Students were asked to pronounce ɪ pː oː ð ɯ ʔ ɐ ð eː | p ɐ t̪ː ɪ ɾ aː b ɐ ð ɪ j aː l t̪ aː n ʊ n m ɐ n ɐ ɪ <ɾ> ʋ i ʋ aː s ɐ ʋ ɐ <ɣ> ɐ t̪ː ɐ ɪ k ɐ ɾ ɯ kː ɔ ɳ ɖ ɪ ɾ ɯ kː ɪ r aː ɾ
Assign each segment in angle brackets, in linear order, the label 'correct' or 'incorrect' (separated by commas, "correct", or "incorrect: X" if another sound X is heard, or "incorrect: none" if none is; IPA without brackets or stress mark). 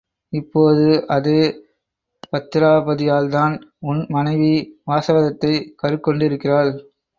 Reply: incorrect: none, incorrect: ð